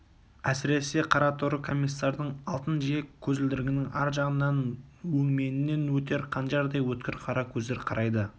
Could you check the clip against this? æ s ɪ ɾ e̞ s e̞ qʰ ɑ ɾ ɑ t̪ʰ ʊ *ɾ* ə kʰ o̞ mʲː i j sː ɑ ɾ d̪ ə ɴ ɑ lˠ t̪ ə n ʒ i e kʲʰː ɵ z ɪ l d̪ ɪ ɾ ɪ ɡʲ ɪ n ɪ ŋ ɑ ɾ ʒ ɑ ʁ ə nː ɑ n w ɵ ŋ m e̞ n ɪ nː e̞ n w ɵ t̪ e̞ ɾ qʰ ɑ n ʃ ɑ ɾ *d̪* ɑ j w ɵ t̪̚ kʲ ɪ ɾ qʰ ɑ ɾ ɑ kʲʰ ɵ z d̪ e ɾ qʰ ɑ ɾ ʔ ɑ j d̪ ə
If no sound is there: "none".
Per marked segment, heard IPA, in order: ɾ, d̪

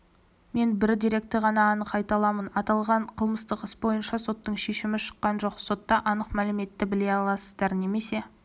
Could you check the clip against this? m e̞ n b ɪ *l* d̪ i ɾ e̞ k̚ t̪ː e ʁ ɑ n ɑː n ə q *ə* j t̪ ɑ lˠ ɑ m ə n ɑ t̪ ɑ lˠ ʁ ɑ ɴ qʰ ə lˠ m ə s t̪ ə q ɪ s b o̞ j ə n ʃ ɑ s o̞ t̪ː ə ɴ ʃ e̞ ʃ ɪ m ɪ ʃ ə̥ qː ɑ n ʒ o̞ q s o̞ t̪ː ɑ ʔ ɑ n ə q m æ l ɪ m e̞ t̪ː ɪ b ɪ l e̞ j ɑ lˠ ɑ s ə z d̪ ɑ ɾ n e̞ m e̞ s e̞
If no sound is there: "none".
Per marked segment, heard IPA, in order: ɾ, ɑ

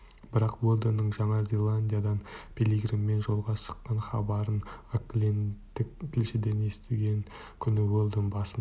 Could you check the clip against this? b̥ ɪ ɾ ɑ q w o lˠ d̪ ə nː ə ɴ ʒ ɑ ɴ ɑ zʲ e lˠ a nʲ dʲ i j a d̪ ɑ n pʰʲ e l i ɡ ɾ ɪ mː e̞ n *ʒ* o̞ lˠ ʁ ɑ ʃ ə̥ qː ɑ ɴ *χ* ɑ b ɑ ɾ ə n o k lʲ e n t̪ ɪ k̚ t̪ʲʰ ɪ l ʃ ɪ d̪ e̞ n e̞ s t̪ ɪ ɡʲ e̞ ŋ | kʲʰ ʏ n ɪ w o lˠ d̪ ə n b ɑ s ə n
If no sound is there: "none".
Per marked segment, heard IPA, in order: ʒ, χ

